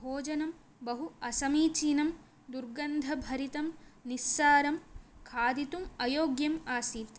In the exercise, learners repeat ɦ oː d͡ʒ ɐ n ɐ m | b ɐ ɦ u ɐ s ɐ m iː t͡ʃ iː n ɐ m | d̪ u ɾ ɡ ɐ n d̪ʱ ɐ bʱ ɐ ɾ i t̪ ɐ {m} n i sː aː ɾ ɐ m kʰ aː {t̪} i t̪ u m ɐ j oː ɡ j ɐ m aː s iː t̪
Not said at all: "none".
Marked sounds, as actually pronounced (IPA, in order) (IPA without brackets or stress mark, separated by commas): m, d̪